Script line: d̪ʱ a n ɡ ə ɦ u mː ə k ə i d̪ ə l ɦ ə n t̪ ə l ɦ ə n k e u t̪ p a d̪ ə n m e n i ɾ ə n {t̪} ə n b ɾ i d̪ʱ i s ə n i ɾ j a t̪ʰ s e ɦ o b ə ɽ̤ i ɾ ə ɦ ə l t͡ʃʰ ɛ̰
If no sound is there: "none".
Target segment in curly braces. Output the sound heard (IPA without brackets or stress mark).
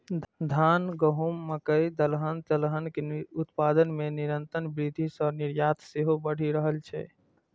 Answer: t̪